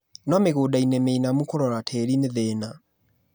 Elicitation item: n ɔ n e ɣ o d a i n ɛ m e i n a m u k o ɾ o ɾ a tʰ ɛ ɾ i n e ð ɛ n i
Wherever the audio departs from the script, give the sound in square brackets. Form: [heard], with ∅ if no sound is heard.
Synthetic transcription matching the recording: n ɔ [m] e ɣ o d a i n ɛ m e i n a m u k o ɾ [ɔ] ɾ a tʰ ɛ ɾ i n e ð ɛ n [a]